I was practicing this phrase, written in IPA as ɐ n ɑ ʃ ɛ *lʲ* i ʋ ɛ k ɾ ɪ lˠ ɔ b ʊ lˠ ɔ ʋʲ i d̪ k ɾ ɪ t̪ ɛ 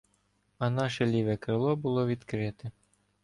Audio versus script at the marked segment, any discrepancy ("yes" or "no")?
no